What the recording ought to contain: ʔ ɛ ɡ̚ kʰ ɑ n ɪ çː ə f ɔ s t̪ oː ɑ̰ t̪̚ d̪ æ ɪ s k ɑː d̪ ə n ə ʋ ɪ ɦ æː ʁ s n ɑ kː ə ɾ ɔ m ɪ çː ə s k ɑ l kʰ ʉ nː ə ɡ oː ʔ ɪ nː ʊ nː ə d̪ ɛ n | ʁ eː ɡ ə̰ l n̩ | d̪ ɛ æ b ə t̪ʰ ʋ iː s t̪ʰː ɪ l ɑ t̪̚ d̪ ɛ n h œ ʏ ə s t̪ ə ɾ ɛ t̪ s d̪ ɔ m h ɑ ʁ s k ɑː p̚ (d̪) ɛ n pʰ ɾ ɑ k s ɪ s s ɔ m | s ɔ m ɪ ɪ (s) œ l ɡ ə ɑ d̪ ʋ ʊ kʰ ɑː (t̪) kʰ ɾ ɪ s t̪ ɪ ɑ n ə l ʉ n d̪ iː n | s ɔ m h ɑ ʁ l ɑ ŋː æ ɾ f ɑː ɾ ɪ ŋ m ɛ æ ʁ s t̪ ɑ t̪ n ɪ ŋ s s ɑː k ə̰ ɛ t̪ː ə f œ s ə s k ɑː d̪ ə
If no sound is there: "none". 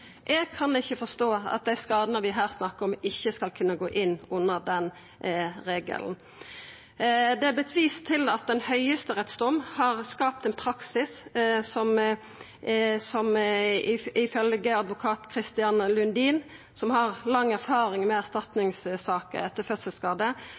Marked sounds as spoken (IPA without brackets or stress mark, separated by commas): t̪, f, t̪